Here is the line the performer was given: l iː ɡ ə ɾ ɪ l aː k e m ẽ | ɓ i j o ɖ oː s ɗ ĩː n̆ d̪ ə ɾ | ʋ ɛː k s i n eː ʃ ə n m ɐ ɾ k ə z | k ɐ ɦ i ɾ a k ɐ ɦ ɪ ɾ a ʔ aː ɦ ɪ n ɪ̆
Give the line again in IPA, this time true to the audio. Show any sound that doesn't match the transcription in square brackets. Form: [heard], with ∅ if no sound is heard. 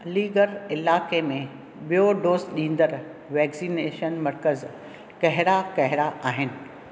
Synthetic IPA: l iː ɡ ə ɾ ɪ l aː k e m ẽ | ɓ i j o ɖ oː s ɗ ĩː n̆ d̪ ə ɾ | ʋ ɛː k s i n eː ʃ ə n m ɐ ɾ k ə z | k ɐ ɦ [ɪ] ɾ a k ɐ ɦ ɪ ɾ a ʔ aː ɦ ɪ n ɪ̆

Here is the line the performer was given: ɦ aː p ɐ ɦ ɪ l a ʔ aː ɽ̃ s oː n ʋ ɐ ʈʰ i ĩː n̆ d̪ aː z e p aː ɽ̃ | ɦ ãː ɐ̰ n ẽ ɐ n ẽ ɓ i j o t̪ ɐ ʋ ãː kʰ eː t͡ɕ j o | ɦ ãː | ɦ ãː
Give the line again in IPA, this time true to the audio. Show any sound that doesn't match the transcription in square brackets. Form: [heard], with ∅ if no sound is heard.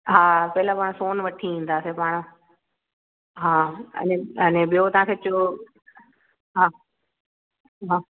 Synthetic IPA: ɦ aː p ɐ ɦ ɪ l a [p] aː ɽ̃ s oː n ʋ ɐ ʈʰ i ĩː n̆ d̪ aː [s] e p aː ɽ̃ | ɦ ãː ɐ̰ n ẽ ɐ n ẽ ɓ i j o t̪ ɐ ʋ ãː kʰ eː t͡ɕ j o | ɦ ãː | ɦ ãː

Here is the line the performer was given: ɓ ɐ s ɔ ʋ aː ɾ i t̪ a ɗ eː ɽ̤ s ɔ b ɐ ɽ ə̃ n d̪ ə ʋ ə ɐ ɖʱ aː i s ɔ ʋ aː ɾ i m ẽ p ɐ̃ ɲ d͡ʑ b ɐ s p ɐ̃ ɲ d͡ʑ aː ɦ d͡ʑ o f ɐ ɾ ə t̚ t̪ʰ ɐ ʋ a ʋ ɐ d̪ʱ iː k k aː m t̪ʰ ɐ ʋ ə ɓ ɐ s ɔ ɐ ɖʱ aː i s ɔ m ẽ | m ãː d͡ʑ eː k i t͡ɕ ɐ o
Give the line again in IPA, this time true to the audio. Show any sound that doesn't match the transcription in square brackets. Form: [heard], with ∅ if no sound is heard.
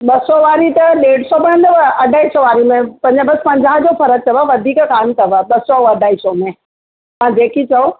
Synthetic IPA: ɓ ɐ s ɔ ʋ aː ɾ i t̪ [ɐ] ɗ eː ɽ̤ s ɔ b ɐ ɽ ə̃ n d̪ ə ʋ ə ɐ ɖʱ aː i s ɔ ʋ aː ɾ i m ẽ p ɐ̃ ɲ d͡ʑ b ɐ s p ɐ̃ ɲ d͡ʑ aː ɦ d͡ʑ o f ɐ ɾ ə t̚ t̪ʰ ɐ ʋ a ʋ ɐ d̪ʱ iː k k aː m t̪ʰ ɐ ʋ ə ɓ ɐ s ɔ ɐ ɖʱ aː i s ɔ m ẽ | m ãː d͡ʑ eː k i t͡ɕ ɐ o

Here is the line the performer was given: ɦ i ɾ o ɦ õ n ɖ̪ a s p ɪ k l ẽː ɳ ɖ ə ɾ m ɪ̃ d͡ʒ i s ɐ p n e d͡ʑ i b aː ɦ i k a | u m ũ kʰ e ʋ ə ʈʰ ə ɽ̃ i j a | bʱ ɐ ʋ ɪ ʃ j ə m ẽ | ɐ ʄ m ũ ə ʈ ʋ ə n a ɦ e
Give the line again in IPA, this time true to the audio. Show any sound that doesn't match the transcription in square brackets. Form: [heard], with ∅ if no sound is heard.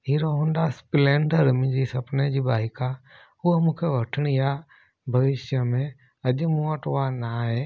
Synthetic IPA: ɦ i ɾ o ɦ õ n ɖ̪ a s p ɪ [∅] l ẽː ɳ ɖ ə ɾ m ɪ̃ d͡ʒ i s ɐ p n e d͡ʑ i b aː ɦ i k a | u m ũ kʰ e ʋ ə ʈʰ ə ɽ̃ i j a | bʱ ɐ ʋ ɪ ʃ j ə m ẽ | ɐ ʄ m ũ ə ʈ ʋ [a] n a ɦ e

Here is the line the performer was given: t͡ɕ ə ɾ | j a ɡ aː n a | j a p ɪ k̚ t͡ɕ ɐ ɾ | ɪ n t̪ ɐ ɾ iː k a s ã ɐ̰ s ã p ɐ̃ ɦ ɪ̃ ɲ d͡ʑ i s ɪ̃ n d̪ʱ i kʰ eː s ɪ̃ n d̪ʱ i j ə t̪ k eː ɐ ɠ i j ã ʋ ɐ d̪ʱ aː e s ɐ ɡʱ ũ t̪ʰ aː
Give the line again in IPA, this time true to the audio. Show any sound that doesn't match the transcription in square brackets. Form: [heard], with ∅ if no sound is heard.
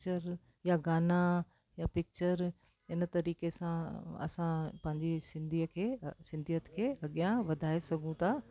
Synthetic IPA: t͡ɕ ə ɾ | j a ɡ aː n a | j a p ɪ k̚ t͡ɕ [ə] ɾ | ɪ n t̪ ɐ ɾ iː k [e] s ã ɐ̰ s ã p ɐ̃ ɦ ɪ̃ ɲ d͡ʑ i s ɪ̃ n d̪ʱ i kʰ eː s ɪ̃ n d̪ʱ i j ə t̪ [kʰ] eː ɐ ɠ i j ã ʋ ɐ d̪ʱ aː e s ɐ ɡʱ ũ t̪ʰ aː

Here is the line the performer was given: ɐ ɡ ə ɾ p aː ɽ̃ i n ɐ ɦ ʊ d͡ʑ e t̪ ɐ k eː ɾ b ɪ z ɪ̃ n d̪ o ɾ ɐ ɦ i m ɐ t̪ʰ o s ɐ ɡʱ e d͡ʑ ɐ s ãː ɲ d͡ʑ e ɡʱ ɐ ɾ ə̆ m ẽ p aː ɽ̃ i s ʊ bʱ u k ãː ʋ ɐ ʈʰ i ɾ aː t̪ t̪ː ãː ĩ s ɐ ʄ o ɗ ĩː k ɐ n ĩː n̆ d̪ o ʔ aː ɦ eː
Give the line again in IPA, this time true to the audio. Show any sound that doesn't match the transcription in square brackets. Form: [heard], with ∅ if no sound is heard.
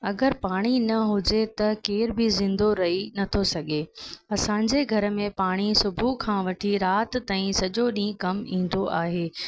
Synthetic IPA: ɐ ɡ ə ɾ p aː ɽ̃ i n ɐ ɦ ʊ d͡ʑ e t̪ ɐ k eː ɾ b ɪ z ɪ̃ n d̪ o ɾ ɐ ɦ i [n] ɐ t̪ʰ o s ɐ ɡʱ e [∅] ɐ s ãː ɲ d͡ʑ e ɡʱ ɐ ɾ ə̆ m ẽ p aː ɽ̃ i s ʊ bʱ u [kʰ] ãː ʋ ɐ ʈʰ i ɾ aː t̪ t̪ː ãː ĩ s ɐ ʄ o ɗ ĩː k ɐ [m] ĩː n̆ d̪ o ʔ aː ɦ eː

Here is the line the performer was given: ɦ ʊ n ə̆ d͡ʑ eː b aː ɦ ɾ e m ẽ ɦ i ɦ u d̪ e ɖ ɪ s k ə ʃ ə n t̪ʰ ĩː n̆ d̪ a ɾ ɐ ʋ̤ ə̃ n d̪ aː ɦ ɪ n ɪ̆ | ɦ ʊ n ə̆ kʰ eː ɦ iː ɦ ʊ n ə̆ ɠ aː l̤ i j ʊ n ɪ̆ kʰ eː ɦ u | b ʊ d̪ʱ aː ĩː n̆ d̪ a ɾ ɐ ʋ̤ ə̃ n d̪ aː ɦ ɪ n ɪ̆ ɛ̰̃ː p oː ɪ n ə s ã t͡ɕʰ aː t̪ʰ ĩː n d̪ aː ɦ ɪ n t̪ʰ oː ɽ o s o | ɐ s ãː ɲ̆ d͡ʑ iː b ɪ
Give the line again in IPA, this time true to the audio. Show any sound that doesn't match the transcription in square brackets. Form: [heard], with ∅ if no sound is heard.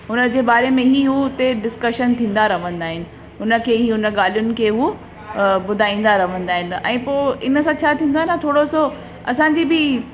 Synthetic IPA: ɦ ʊ n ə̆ d͡ʑ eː b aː [∅] ɾ e m ẽ ɦ i ɦ u [t̪] e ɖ ɪ s k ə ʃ ə n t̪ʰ ĩː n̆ d̪ a ɾ ɐ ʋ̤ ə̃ n d̪ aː ɦ ɪ n ɪ̆ | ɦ ʊ n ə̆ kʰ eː ɦ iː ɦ ʊ n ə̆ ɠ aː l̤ i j ʊ n ɪ̆ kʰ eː ɦ u | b ʊ d̪ʱ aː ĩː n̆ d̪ a ɾ ɐ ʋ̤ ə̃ n d̪ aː ɦ ɪ n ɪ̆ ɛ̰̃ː p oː ɪ n ə s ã t͡ɕʰ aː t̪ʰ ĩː n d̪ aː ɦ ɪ n t̪ʰ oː ɽ o s o | ɐ s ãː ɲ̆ d͡ʑ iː b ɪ

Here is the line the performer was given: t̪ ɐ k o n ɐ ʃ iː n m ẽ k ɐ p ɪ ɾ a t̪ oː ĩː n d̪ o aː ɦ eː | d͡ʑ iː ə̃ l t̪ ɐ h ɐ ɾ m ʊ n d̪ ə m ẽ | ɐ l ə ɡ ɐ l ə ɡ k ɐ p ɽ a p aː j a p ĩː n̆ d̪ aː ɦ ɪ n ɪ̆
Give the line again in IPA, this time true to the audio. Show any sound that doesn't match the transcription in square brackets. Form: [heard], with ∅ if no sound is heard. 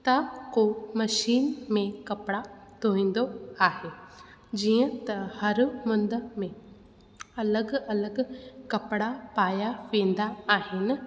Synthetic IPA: t̪ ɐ k o [m] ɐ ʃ iː n m ẽ k ɐ p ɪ [ɽ] a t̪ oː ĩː n d̪ o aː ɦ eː | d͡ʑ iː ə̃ [∅] t̪ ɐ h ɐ ɾ m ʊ n d̪ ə m ẽ | ɐ l ə ɡ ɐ l ə ɡ k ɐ p ɽ a p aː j a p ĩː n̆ d̪ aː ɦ ɪ n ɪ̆

